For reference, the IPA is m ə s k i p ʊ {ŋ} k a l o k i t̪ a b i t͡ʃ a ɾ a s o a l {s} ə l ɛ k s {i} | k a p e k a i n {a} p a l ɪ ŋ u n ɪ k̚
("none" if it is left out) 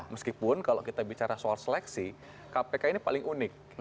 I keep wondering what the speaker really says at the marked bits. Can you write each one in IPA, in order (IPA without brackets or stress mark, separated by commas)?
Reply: n, s, i, i